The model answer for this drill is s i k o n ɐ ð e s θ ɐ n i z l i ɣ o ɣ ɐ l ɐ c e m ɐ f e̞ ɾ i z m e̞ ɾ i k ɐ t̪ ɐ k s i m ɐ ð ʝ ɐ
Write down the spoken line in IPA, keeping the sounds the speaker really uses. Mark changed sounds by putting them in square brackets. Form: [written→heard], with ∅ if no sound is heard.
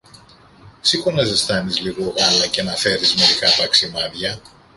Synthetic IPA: s i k o n ɐ [ð→z] e s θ ɐ n i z l i ɣ o ɣ ɐ l ɐ c e [m→n] ɐ f e̞ ɾ i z m e̞ ɾ i k ɐ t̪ ɐ k s i m ɐ ð ʝ ɐ